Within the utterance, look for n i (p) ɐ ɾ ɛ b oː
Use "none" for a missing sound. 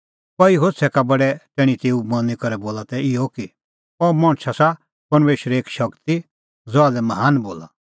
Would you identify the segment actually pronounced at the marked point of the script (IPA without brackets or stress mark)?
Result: k